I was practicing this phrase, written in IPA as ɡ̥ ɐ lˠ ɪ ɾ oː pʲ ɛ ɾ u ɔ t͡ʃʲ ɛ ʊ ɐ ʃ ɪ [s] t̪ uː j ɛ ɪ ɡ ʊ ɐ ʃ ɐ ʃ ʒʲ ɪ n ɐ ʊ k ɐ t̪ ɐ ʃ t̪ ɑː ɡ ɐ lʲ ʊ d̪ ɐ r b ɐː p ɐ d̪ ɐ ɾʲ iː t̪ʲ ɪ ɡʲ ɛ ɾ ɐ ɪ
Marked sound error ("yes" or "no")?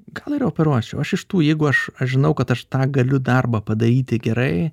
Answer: yes